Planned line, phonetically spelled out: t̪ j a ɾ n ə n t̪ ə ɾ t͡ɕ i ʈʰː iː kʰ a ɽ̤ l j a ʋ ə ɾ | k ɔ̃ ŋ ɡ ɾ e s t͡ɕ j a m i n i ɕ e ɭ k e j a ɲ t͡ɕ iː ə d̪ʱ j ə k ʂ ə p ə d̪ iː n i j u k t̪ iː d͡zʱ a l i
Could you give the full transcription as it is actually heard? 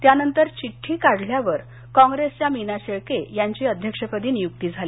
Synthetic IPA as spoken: t̪ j a n ə n t̪ ə ɾ t͡ɕ i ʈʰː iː k a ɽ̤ l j a ʋ ə ɾ | k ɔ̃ ŋ ɡ ɾ e s t͡ɕ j a m i n a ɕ e ɭ k e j a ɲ t͡ɕ iː ə d̪ʱ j ə k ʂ ə p ə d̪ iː n i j u k t̪ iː d͡zʱ a l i